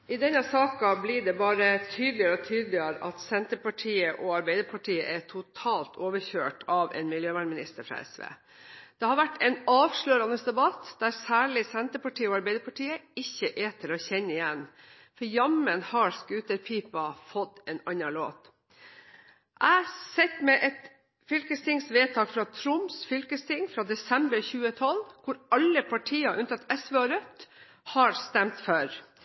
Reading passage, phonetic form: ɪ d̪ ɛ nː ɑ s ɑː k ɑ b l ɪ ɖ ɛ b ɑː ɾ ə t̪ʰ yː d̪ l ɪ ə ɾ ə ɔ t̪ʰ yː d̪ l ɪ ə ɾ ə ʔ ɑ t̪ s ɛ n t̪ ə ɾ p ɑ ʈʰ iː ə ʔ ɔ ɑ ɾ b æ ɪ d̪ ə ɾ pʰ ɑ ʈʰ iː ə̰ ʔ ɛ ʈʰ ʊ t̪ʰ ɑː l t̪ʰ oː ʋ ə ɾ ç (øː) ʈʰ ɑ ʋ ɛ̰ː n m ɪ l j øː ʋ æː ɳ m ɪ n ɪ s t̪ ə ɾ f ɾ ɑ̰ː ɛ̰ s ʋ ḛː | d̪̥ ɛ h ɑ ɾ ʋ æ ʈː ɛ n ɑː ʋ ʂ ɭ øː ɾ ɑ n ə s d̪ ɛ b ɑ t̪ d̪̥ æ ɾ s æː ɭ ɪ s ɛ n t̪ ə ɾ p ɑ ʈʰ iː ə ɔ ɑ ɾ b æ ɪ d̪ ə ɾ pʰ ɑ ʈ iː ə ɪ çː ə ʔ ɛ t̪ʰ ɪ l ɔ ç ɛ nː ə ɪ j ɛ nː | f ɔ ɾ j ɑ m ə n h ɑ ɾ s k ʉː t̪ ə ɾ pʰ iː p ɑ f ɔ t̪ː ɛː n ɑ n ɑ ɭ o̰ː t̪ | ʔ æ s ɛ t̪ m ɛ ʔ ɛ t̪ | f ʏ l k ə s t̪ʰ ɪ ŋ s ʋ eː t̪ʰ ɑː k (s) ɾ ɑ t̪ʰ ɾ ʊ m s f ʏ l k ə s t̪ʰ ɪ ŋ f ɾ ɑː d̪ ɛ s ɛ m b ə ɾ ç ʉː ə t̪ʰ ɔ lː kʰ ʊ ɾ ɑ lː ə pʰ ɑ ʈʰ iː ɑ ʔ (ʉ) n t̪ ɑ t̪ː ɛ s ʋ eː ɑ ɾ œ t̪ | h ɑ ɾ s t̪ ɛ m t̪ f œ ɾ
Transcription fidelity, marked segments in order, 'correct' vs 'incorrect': correct, incorrect: f, correct

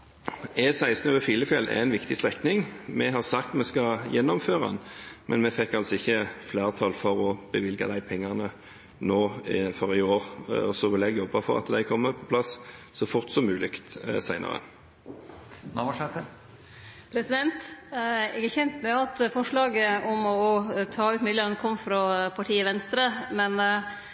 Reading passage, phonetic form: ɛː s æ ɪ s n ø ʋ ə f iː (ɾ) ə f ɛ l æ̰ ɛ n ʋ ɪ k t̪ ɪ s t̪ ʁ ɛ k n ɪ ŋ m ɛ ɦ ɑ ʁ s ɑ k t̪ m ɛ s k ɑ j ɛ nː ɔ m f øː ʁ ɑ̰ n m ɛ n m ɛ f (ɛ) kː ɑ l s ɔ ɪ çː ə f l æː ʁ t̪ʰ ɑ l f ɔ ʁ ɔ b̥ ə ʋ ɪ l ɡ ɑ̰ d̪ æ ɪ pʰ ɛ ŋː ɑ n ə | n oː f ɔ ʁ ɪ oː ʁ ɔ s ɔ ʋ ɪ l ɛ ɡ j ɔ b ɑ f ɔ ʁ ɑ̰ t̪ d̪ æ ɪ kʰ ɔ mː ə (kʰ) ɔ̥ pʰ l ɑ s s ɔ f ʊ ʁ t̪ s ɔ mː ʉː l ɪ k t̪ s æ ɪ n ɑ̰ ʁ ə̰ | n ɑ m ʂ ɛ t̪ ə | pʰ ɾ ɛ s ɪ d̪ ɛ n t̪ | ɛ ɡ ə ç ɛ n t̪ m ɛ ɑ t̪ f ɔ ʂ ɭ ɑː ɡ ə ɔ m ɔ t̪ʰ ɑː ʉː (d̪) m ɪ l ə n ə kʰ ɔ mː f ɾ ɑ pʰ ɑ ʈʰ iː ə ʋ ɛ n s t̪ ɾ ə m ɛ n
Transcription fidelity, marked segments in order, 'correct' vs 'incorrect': incorrect: l, correct, incorrect: pʰ, incorrect: t̪

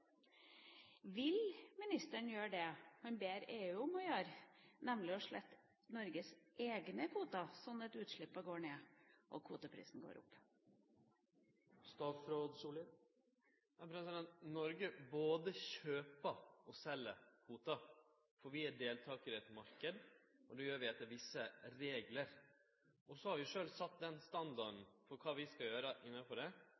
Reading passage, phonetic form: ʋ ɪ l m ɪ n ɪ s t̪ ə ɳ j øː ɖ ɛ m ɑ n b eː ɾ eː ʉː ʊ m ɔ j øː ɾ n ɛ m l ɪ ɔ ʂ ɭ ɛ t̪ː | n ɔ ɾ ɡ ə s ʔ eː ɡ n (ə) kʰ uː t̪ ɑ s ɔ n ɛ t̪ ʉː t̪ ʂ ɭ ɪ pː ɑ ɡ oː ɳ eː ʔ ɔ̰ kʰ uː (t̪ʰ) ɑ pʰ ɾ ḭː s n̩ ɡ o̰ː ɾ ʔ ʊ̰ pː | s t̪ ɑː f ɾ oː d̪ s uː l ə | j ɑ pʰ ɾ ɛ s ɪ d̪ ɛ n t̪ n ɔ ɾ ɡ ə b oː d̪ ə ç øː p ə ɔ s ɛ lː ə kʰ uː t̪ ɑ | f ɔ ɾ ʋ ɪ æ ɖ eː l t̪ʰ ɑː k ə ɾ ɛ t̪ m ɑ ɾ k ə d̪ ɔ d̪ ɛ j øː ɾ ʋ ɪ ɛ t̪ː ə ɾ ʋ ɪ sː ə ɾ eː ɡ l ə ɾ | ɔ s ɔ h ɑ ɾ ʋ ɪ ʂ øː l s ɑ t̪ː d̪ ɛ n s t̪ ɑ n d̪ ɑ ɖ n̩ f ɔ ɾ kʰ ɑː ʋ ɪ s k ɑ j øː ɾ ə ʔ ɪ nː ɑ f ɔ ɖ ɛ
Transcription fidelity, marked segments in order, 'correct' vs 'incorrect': correct, incorrect: t̪

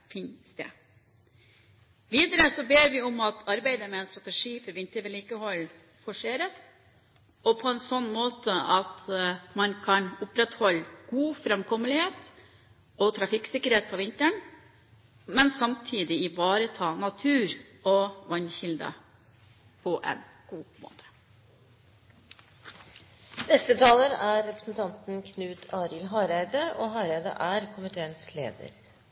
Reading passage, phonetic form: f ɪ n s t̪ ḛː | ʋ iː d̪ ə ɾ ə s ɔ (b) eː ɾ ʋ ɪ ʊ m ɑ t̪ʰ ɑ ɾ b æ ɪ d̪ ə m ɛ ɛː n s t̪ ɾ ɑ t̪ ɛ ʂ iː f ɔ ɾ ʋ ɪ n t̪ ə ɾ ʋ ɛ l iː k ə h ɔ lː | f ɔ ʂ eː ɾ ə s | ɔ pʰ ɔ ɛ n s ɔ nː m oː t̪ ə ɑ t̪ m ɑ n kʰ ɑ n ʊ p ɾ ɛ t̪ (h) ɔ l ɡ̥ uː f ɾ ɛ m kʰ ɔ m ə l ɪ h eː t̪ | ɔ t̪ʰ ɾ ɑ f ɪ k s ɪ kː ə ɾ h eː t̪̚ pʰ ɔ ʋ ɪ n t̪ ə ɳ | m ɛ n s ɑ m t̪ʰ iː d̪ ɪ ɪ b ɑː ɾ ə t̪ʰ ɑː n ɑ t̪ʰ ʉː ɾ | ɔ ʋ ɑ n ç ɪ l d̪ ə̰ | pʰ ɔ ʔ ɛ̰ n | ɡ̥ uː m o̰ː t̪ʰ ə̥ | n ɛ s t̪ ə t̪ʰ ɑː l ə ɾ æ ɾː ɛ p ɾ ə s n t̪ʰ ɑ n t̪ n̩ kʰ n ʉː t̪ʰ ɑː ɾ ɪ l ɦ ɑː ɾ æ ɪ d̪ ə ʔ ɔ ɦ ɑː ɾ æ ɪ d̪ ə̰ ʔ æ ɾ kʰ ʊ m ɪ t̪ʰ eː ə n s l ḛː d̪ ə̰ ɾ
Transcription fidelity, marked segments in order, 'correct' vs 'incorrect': correct, correct

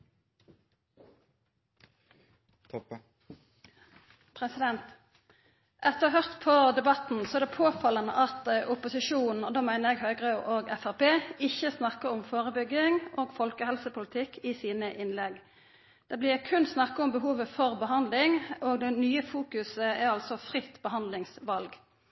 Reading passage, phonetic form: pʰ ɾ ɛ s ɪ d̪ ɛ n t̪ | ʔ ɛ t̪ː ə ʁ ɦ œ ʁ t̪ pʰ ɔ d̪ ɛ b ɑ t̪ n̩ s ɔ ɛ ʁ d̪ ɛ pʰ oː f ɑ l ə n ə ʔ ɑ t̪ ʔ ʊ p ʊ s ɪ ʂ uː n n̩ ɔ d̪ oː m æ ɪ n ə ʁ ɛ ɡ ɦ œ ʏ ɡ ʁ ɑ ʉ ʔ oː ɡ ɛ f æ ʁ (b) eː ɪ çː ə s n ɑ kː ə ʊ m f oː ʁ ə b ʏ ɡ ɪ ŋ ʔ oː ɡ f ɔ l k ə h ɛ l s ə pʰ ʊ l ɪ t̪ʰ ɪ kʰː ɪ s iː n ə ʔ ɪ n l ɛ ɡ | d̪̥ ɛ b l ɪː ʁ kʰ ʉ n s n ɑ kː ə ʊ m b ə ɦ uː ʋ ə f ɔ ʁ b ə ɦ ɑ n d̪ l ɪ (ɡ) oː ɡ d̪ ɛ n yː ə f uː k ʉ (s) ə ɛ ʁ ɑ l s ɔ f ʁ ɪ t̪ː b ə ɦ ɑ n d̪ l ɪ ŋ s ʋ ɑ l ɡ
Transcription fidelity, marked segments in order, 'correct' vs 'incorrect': incorrect: p, incorrect: ŋ, correct

